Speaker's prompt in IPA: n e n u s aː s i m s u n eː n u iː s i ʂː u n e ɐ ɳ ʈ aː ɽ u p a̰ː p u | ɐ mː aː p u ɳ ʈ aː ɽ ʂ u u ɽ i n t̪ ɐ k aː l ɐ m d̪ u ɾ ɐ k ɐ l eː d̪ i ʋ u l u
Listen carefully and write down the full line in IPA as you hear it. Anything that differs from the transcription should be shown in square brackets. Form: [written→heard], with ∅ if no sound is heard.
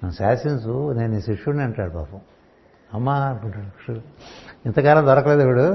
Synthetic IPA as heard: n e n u s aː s i [m→n] s u n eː n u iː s i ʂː u n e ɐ ɳ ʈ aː ɽ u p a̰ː p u | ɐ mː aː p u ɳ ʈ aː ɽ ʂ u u [ɽ→∅] i n t̪ ɐ k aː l ɐ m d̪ [u→ɔ] ɾ ɐ k ɐ l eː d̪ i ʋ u [l→ɽ] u